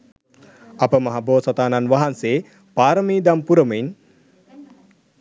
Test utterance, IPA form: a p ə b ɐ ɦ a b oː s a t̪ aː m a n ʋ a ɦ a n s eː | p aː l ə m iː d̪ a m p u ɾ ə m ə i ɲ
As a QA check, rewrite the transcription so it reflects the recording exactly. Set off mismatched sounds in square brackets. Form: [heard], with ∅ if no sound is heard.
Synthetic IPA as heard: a p ə [m] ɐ ɦ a b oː s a t̪ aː [n] a n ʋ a ɦ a n s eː | p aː [ɾ] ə m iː d̪ a m p u ɾ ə m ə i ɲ